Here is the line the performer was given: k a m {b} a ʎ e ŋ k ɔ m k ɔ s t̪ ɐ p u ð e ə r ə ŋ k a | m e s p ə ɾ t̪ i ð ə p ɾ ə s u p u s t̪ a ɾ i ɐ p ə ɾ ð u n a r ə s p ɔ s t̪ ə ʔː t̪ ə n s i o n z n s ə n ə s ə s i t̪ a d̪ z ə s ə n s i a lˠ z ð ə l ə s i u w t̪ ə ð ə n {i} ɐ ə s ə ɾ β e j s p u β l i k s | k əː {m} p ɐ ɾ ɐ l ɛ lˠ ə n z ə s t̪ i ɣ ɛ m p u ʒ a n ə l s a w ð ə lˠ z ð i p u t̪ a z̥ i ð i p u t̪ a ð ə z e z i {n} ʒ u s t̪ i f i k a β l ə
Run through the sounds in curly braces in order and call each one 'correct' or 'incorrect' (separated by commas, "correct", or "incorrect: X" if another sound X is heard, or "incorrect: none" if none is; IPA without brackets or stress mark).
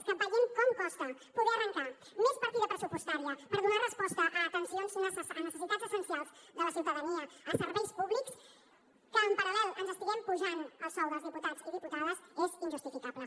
incorrect: p, correct, correct, correct